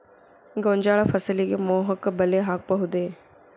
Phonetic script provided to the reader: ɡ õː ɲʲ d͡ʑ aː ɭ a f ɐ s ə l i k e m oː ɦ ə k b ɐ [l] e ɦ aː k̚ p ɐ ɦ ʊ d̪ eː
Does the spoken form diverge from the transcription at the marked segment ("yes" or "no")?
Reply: no